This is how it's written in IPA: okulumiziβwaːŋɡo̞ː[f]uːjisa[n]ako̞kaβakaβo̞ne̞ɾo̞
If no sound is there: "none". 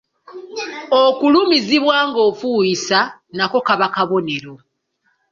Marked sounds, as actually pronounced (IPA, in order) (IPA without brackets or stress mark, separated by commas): f, n